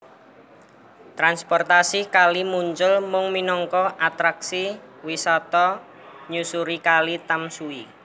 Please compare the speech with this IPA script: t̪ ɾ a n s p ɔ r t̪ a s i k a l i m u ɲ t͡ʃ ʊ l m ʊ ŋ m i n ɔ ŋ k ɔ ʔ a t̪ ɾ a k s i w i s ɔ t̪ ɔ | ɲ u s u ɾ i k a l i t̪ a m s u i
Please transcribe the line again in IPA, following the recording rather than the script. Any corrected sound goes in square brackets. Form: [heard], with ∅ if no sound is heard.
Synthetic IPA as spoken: t̪ ɾ a n s p ɔ r t̪ a s i k a l i m u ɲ t͡ʃ ʊ l m ʊ ŋ m i n ɔ ŋ k ɔ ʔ a t̪ ɾ a k s i w i s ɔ t̪ ɔ | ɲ u s u ɾ i k a l i t̪ a m s u i